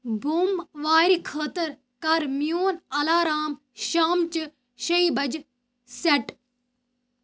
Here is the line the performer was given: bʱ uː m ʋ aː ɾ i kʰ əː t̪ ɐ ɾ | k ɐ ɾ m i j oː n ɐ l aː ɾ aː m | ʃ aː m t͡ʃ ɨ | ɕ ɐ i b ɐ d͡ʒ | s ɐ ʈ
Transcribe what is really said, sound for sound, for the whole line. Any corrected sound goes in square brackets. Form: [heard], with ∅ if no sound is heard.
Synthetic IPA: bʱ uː m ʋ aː ɾ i kʰ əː t̪ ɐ ɾ | k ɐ ɾ m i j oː n ɐ l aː ɾ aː m | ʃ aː m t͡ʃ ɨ | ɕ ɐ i b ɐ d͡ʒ | s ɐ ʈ

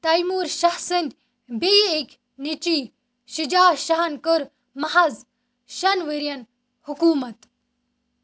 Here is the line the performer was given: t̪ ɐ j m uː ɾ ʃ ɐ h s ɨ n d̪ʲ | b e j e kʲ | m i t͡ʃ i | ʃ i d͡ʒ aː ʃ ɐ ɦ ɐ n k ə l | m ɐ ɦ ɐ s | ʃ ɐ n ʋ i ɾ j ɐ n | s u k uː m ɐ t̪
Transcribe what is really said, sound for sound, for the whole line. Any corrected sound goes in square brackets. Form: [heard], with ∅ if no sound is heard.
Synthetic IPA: t̪ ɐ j m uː ɾ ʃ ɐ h s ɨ n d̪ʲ | b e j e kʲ | [n] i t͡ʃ i | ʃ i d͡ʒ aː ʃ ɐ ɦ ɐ n k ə [ɾ] | m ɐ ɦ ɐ [z] | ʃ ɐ n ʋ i ɾ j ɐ n | [h] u k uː m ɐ t̪

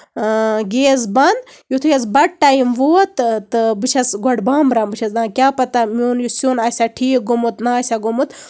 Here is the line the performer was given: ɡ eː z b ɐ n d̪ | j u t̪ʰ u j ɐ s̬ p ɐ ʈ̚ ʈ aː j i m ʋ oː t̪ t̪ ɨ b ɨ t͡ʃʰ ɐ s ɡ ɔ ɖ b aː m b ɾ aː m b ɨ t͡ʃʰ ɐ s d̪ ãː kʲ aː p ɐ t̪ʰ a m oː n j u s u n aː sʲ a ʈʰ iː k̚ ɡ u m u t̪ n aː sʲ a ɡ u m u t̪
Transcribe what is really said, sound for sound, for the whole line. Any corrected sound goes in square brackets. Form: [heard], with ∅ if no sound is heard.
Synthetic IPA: ɡ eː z b ɐ n d̪ | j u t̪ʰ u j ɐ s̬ [b] ɐ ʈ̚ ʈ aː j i m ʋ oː t̪ t̪ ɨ b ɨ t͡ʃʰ ɐ s ɡ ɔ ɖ b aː m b ɾ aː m b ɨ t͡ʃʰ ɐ s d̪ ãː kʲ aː p ɐ [t̪] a m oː n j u s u n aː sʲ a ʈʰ iː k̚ ɡ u m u t̪ n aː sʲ a ɡ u m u t̪

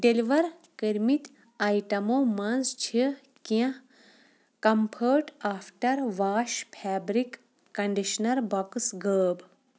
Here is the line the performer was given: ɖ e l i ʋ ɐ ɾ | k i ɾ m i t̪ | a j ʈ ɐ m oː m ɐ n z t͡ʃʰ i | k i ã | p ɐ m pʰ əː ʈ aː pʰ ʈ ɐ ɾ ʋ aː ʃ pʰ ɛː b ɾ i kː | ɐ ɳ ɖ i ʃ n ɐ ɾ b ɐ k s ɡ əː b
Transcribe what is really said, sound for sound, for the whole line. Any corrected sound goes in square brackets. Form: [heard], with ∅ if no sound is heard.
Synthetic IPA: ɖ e l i ʋ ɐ ɾ | k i ɾ m i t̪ | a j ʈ ɐ m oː m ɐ n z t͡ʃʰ i | k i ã | [k] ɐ m pʰ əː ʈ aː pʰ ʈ ɐ ɾ ʋ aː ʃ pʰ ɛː b ɾ i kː | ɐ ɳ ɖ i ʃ n ɐ ɾ b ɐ k s ɡ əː b

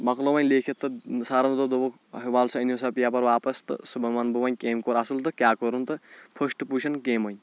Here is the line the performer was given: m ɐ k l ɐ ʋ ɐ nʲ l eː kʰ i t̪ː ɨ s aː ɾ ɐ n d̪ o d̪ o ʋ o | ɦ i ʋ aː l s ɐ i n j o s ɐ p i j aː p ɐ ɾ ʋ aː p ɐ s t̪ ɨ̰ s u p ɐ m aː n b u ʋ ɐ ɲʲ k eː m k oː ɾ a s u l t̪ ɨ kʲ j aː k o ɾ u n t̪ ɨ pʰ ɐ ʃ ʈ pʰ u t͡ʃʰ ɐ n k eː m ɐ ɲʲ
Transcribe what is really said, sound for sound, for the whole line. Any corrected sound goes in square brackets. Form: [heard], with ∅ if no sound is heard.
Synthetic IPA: m ɐ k l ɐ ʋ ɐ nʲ l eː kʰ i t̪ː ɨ s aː ɾ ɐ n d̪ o d̪ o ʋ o | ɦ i ʋ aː l s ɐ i n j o s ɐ p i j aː p ɐ ɾ ʋ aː p ɐ s t̪ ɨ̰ s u [b] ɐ m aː n b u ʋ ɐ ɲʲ k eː m k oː ɾ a s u l t̪ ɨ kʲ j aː k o ɾ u n t̪ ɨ pʰ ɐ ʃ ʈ [p] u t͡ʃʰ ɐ n k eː m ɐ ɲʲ

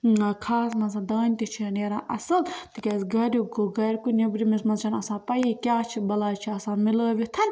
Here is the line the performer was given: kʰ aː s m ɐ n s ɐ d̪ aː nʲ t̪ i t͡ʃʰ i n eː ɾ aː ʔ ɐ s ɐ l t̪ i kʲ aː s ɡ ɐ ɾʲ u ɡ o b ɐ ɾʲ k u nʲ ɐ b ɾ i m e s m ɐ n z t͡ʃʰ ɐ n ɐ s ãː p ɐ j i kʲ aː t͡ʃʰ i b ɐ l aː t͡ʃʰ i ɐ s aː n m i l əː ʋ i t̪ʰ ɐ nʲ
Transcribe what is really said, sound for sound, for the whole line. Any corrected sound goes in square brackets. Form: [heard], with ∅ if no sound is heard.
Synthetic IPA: kʰ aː s m ɐ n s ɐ d̪ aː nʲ t̪ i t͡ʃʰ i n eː ɾ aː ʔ ɐ s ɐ l t̪ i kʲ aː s ɡ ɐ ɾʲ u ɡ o [ɡ] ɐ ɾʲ k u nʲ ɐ b ɾ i m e s m ɐ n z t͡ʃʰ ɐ n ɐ s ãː p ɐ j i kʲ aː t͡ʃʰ i b ɐ l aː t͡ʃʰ i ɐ s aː n m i l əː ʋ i t̪ʰ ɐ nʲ

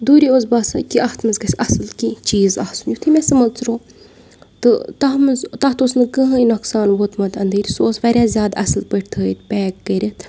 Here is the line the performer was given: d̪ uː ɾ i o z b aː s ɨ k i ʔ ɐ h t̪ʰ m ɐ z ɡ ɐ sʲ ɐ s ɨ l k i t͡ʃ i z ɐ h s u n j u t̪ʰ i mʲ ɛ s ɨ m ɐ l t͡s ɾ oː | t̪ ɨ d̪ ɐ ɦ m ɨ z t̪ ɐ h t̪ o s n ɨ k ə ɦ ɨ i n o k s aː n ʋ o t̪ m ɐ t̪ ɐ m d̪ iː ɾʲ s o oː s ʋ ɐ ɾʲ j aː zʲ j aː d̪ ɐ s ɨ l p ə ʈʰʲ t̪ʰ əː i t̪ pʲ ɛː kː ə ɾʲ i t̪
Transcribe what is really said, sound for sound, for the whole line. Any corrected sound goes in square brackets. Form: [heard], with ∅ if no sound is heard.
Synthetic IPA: d̪ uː ɾ i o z b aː s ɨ k i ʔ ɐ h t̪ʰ m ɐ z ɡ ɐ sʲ ɐ s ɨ l k i t͡ʃ [iː] z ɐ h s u n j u t̪ʰ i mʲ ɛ s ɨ m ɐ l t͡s ɾ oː | t̪ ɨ [t̪] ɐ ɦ m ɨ z t̪ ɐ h t̪ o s n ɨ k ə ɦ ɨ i n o k s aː n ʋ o t̪ m ɐ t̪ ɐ [n] d̪ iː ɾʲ s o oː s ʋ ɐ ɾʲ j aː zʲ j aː d̪ ɐ s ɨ l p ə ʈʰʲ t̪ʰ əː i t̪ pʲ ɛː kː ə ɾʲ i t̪

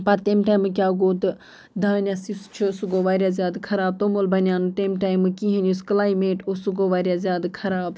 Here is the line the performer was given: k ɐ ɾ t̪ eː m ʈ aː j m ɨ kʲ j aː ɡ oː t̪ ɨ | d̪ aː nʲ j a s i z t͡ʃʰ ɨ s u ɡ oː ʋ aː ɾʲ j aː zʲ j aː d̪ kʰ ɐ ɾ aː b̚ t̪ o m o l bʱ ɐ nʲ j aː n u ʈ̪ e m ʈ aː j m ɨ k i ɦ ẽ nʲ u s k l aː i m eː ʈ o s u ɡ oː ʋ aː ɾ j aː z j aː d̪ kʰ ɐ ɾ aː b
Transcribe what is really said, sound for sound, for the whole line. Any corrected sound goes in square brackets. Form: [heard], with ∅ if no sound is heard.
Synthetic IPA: [p] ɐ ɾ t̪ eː m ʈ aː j m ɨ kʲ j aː ɡ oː t̪ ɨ | d̪ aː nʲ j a s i [s] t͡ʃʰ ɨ s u ɡ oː ʋ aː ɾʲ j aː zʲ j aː d̪ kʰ ɐ ɾ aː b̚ t̪ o m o l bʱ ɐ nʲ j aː n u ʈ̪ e m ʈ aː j m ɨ k i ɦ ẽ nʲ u s k l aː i m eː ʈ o s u ɡ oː ʋ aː ɾ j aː z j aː d̪ kʰ ɐ ɾ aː b

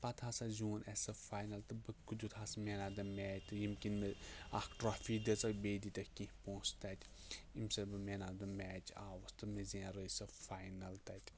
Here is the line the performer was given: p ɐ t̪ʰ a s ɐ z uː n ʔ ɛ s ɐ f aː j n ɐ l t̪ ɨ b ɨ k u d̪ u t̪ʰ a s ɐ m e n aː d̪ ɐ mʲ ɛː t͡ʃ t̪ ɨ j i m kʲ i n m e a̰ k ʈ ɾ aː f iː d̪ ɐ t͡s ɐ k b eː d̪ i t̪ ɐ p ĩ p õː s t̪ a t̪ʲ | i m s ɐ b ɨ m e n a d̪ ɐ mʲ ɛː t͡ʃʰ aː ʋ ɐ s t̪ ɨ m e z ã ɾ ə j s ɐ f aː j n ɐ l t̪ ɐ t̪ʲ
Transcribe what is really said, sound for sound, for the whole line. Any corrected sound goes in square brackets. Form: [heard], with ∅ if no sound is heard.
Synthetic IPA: p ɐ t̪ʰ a s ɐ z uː n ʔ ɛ s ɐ f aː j n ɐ l t̪ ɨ b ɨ k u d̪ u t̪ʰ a s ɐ m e n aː d̪ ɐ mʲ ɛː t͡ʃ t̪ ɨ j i m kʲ i n m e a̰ k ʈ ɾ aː f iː d̪ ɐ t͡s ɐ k b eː d̪ i t̪ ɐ [k] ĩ p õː s t̪ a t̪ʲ | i m s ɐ b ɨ m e n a d̪ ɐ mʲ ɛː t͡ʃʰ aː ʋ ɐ s t̪ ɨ m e z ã ɾ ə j s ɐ f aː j n ɐ l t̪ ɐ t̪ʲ

